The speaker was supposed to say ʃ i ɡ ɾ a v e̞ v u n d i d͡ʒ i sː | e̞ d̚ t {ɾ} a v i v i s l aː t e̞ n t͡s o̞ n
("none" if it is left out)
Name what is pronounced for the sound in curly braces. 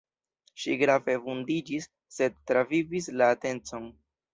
ɾ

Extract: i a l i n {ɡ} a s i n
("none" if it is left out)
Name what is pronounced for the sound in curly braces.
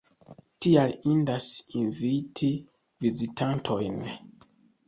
d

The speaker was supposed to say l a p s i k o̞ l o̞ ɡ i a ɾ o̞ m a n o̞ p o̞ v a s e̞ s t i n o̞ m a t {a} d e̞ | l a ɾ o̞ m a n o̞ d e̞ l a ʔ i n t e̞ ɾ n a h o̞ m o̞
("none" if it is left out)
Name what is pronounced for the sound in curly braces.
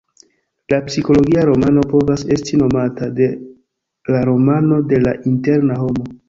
a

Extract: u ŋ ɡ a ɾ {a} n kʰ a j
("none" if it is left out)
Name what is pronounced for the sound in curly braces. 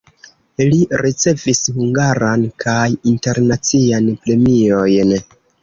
a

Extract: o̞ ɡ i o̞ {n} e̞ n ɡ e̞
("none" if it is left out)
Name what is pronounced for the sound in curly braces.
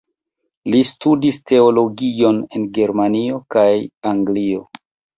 n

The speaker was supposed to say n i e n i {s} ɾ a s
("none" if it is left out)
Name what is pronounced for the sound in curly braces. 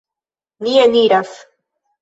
none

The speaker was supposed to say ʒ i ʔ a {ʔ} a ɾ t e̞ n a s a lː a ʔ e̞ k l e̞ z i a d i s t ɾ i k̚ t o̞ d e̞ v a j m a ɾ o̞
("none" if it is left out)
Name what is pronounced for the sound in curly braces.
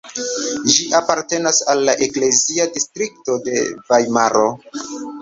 p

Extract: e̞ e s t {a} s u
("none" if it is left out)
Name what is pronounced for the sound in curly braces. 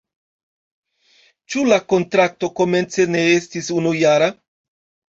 i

